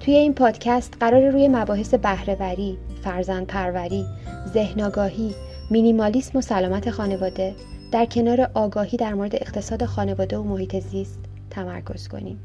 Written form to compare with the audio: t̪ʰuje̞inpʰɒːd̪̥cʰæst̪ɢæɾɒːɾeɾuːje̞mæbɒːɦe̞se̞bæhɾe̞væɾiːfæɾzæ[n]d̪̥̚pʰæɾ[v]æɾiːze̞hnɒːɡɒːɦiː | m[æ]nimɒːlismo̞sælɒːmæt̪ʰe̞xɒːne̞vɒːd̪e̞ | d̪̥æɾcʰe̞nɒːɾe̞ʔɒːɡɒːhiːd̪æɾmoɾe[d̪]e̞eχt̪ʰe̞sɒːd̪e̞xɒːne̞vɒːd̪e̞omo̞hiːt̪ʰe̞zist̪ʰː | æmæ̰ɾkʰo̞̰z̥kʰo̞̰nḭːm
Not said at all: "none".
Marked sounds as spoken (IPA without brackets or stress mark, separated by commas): n, v, i, d̪